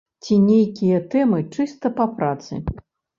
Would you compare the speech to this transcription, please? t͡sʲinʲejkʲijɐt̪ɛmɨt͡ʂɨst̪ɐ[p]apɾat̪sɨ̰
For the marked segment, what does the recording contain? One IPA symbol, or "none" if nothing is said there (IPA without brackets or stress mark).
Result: p